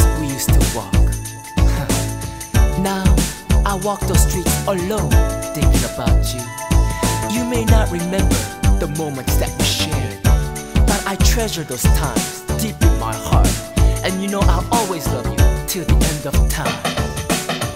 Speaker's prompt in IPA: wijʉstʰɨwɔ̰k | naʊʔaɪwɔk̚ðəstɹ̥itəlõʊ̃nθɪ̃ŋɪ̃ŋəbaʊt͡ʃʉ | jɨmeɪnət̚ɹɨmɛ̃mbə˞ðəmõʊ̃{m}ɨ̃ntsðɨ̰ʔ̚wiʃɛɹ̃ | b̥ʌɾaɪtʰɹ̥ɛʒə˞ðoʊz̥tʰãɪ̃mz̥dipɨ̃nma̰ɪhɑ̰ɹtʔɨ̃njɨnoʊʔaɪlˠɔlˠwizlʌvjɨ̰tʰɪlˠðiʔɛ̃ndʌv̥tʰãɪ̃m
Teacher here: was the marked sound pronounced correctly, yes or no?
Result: yes